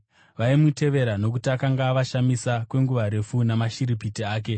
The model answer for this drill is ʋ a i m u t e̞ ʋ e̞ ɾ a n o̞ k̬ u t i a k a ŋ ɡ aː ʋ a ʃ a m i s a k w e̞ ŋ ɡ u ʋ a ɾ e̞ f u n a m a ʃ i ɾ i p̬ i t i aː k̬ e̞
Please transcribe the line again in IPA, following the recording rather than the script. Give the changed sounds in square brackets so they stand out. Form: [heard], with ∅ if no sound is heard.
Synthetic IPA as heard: ʋ a i m u t e̞ ʋ e̞ ɾ a n o̞ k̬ u t i a k a ŋ ɡ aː ʋ a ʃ a m i s a k w e̞ ŋ ɡ u ʋ a ɾ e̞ f u n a m a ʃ i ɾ i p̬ i t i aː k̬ e̞